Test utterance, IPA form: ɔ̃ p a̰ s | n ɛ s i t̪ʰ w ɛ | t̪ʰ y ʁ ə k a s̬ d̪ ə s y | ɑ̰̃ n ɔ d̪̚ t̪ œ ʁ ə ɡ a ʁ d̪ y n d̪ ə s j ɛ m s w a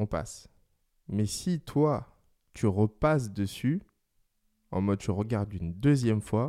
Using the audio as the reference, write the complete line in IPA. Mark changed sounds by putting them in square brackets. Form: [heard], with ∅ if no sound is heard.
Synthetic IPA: ɔ̃ p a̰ s | [m] ɛ s i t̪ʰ w [a] | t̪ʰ y ʁ ə [p] a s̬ d̪ ə s y | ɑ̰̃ [m] ɔ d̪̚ t̪ [y] ʁ ə ɡ a ʁ d̪ y n d̪ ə [z] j ɛ m [f] w a